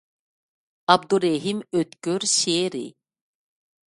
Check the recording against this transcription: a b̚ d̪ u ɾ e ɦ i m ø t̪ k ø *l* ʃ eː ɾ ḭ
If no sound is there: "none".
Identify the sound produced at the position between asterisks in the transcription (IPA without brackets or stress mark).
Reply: ɾ